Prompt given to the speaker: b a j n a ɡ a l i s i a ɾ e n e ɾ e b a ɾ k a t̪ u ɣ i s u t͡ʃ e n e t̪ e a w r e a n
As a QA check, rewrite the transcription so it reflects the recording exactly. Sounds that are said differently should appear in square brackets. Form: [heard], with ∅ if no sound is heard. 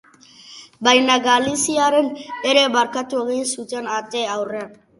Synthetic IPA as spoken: b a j n a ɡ a l i s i a ɾ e n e ɾ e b a ɾ k a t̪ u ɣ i s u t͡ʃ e n [a] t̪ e a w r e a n